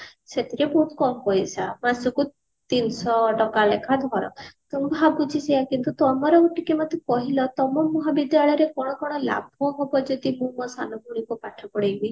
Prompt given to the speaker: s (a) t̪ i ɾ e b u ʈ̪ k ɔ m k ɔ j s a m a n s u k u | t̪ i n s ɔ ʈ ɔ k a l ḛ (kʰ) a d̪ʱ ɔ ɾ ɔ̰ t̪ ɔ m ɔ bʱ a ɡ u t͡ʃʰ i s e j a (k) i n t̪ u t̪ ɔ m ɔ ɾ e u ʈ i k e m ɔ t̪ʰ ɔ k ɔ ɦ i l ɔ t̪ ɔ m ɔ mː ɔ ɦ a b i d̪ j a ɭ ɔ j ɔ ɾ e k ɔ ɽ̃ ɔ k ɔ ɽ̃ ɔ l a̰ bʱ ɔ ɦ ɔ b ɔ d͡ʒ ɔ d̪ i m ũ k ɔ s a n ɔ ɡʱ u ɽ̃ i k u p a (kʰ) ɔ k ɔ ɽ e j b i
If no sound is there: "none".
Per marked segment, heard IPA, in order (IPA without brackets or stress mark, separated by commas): e, kʰ, k, ʈʰ